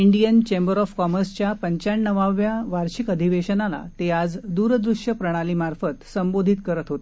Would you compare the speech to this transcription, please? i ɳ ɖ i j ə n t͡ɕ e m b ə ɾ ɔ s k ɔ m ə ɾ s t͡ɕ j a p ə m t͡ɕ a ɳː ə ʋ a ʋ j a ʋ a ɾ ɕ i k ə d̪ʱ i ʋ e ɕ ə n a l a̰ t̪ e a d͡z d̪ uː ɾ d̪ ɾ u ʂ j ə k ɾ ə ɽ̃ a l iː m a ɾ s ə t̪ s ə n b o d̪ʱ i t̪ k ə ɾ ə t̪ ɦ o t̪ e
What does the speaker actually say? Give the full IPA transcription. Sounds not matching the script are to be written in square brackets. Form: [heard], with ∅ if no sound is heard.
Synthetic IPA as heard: i ɳ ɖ i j ə n t͡ɕ e m b ə ɾ ɔ [f] k ɔ m ə ɾ s t͡ɕ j a p ə [ɲ] t͡ɕ a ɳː ə ʋ a ʋ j a ʋ a ɾ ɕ i k ə d̪ʱ i ʋ e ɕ ə n a l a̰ t̪ e a d͡z d̪ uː ɾ d̪ ɾ u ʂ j ə [p] ɾ ə ɽ̃ a l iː m a ɾ [f] ə t̪ s ə [m] b o d̪ʱ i t̪ k ə ɾ ə t̪ ɦ o t̪ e